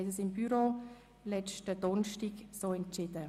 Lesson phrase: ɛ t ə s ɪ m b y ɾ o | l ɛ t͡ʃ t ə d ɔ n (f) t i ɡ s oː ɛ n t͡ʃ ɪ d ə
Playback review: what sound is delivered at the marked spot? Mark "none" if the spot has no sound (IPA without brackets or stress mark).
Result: ʃ